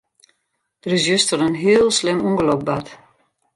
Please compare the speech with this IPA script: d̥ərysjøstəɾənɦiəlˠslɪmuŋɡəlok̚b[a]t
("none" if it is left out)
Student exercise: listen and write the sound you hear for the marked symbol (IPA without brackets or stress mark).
a